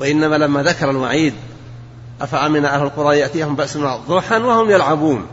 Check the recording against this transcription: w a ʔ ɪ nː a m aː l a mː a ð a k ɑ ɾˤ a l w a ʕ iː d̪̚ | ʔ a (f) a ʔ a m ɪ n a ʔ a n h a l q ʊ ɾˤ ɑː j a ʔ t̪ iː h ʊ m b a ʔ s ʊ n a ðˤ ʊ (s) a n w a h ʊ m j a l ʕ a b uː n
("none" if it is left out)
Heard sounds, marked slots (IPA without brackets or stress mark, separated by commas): f, ħ